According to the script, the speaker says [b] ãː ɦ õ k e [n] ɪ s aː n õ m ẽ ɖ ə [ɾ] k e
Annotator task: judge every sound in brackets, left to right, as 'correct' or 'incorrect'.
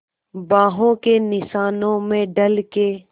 correct, correct, incorrect

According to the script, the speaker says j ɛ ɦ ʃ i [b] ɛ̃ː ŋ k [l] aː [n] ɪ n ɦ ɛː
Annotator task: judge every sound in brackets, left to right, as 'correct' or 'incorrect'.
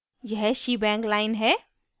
correct, correct, incorrect

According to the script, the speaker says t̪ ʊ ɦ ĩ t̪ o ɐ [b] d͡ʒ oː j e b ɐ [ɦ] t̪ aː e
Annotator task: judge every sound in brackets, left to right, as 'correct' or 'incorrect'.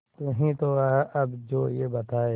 correct, incorrect

